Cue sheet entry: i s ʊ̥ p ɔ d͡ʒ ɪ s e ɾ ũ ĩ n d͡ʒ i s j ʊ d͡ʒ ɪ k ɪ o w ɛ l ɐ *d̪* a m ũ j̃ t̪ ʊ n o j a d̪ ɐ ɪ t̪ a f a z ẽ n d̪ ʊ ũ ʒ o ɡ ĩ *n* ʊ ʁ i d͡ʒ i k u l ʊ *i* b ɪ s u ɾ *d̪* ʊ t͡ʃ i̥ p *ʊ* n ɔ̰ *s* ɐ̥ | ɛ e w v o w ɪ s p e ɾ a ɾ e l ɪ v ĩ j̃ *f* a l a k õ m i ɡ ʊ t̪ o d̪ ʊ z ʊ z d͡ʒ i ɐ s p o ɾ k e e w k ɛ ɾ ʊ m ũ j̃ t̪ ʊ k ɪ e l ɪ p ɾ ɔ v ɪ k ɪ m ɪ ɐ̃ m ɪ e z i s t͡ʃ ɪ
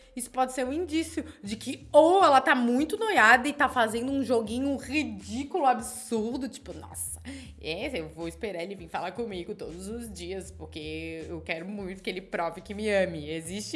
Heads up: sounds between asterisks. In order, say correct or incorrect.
incorrect, incorrect, incorrect, correct, correct, correct, correct

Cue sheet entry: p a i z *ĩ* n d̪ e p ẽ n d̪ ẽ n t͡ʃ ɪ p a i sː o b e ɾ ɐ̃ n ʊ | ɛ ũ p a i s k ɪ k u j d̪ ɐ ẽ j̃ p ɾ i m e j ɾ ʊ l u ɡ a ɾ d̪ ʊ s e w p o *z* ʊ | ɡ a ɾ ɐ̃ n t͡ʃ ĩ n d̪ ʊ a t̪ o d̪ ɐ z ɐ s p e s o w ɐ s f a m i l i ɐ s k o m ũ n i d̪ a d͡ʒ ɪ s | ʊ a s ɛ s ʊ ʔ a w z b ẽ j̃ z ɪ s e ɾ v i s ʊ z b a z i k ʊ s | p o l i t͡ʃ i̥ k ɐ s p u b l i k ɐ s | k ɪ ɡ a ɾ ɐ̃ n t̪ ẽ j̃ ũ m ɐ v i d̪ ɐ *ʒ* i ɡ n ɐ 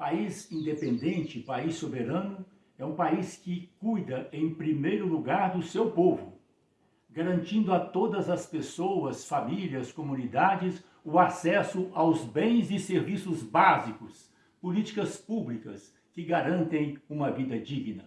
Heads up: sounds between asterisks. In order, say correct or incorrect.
correct, incorrect, incorrect

